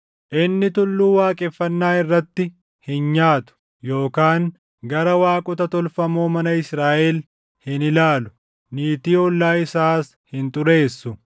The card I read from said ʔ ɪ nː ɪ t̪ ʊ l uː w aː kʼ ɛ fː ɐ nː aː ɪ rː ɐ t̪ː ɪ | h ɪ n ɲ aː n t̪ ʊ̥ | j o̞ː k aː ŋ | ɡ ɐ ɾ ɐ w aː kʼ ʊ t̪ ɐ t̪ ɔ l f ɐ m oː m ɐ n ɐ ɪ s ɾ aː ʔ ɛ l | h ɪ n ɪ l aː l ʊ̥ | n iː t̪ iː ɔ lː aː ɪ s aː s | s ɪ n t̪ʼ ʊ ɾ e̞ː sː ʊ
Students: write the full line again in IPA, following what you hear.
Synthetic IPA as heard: ʔ ɪ nː ɪ t̪ ʊ lː uː w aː kʼ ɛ fː ɐ nː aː ɪ rː ɐ t̪ː ɪ | h ɪ n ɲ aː t̪ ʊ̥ | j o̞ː k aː ŋ | ɡ ɐ ɾ ɐ w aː kʼ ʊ t̪ ɐ t̪ ɔ l f ɐ m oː m ɐ n ɐ ɪ s ɾ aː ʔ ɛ l | h ɪ n ɪ l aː l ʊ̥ | n iː t̪ iː ɔ lː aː ɪ s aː s | h ɪ n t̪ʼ ʊ ɾ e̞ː sː ʊ